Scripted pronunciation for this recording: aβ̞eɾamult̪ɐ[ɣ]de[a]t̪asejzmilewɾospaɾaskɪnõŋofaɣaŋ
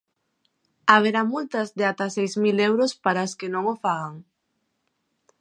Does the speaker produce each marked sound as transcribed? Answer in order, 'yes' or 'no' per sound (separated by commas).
no, yes